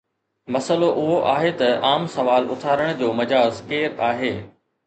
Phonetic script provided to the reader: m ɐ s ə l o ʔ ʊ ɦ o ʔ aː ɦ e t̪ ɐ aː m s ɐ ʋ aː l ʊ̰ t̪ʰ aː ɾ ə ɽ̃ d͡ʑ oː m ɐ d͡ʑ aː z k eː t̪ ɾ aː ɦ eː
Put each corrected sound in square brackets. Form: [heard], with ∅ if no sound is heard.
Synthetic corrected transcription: m ɐ s ə l o ʔ ʊ ɦ o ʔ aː ɦ e t̪ ɐ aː m s ɐ ʋ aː l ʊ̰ t̪ʰ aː ɾ ə ɽ̃ d͡ʑ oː m ɐ d͡ʑ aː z k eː [∅] ɾ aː ɦ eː